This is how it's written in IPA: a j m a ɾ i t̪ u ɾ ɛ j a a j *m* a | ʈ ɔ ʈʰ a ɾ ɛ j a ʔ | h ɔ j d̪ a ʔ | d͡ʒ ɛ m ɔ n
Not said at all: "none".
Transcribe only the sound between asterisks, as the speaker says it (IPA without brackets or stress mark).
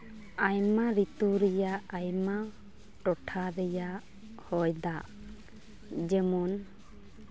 m